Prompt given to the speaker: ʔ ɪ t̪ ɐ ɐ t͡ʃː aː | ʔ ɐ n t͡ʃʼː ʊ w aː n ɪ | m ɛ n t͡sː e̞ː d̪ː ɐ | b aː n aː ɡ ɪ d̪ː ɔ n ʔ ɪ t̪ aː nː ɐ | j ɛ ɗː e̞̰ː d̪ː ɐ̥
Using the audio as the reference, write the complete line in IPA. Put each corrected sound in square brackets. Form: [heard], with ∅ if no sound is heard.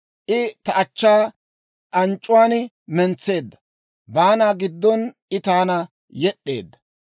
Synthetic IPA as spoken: ʔ ɪ t̪ ɐ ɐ t͡ʃː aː | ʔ ɐ n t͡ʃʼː ʊ w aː n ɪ | m ɛ n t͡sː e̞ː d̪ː ɐ | b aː n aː ɡ ɪ d̪ː ɔ n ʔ ɪ t̪ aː [n] ɐ | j ɛ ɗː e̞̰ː d̪ː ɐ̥